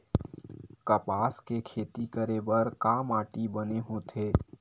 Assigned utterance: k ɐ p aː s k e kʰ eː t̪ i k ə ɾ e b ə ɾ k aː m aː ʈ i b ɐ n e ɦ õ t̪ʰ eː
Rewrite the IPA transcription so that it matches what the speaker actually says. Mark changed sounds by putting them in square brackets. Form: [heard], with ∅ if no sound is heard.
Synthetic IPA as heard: k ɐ p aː s k e kʰ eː t̪ i k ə ɾ e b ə ɾ k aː m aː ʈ i b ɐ n e ɦ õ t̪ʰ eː